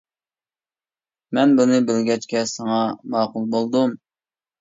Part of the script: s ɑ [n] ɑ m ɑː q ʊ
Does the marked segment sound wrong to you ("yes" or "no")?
yes